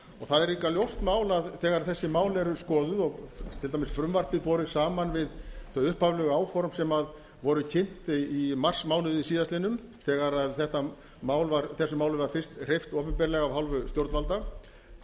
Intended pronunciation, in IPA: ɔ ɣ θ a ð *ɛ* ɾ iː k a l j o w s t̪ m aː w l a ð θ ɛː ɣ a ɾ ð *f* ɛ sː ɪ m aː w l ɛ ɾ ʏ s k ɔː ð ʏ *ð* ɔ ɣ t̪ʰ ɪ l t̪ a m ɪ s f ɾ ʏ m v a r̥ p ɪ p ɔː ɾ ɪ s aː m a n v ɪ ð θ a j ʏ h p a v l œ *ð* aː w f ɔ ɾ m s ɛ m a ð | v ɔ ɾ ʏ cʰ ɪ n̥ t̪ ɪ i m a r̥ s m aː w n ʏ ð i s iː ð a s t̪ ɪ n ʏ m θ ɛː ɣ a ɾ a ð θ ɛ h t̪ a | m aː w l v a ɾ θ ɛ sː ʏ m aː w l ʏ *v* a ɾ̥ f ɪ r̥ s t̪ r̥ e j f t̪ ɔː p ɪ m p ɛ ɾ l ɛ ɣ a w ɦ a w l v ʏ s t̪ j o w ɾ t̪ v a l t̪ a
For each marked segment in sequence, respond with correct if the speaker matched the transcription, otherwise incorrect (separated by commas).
correct, incorrect, correct, incorrect, correct